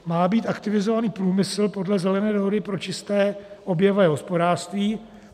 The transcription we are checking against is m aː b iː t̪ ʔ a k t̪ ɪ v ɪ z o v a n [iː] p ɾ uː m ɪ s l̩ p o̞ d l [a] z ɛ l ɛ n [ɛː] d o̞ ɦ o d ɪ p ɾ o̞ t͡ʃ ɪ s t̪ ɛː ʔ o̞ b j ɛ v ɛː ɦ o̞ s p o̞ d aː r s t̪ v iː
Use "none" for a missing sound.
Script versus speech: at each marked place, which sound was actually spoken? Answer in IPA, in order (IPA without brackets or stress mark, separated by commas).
iː, ɛ, ɛː